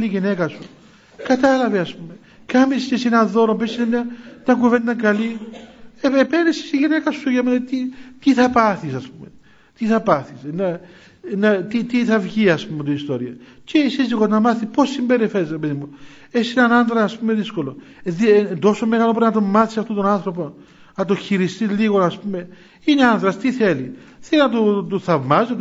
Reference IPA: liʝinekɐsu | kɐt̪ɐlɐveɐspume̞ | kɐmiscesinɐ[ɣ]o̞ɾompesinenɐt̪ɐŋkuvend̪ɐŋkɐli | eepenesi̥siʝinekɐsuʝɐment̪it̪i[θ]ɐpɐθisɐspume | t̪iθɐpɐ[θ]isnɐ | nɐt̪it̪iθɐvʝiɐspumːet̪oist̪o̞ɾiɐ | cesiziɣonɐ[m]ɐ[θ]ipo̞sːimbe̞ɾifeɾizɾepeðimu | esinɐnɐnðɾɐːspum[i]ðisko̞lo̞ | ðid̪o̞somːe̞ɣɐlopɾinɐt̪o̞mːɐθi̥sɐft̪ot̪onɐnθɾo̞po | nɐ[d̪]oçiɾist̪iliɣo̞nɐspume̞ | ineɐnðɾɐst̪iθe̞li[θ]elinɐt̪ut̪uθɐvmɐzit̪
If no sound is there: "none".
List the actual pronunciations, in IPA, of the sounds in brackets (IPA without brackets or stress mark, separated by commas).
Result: ð, θ, θ, m, θ, e, t̪, θ